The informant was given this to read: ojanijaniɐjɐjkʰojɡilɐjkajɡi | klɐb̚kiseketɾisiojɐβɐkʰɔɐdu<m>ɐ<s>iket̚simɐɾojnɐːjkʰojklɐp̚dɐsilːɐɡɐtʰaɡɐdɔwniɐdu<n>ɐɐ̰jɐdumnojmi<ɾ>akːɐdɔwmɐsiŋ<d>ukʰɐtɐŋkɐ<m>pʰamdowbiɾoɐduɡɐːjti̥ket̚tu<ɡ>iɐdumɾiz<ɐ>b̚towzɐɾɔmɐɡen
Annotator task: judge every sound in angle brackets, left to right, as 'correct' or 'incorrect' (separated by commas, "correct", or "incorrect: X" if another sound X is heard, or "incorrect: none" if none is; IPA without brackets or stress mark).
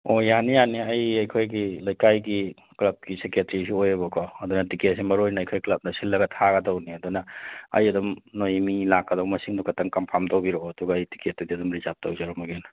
incorrect: n, incorrect: t, correct, incorrect: l, correct, correct, incorrect: d, incorrect: a